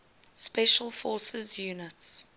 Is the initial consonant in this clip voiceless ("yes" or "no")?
yes